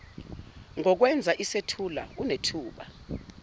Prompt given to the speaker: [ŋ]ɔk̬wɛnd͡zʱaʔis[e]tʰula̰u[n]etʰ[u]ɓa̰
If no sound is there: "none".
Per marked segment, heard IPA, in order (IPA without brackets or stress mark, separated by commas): ŋ, e, n, uː